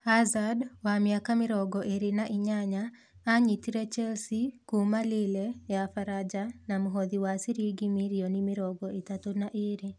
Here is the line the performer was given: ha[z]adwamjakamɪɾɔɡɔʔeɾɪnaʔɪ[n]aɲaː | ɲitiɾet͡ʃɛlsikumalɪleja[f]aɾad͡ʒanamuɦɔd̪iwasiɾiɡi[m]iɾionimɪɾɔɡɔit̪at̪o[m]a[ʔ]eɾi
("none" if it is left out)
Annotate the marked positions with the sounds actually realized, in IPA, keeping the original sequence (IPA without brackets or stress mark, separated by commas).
z, ɲ, f, m, n, ʔ